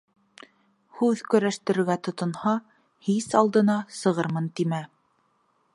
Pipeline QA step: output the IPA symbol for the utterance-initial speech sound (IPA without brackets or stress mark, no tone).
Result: h